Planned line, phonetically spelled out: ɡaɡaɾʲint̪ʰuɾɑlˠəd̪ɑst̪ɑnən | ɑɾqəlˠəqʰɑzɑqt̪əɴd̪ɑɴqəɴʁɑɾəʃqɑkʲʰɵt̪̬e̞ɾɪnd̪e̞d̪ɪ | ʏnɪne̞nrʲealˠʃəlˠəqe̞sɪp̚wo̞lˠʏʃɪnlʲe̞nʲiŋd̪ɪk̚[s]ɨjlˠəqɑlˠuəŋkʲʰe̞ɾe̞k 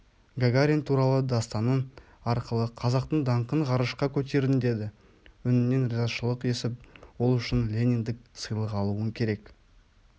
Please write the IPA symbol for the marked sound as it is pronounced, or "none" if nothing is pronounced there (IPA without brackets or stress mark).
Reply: s